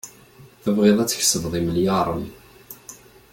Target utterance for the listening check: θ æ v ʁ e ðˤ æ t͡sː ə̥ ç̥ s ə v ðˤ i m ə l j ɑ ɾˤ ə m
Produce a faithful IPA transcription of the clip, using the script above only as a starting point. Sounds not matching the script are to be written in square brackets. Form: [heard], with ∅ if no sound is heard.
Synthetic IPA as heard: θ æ v ʁ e ðˤ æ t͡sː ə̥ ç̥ s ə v ðˤ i m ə l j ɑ ɾˤ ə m